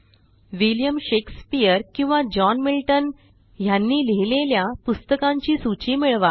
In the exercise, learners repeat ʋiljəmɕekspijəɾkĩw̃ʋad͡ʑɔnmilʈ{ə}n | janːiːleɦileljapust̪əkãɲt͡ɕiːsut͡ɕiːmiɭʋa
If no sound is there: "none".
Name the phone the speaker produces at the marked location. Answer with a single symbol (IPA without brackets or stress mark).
ə